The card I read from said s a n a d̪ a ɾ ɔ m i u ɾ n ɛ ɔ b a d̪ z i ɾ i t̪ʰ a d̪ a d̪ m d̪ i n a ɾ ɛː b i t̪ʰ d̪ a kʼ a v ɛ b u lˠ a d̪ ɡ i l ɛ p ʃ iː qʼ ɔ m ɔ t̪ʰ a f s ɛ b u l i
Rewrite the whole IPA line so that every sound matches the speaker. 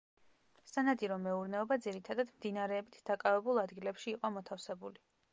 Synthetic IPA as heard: s a n a d̪ i ɾ ɔ m ɛ u ɾ n ɛ ɔ b a d̪ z i ɾ i t̪ʰ a d̪ a d̪ m d̪ i n a ɾ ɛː b i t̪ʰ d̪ a kʼ a v ɛ b u lˠ a d̪ ɡ i l ɛ p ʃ iː qʼ ɔ m ɔ t̪ʰ a f s ɛ b u l i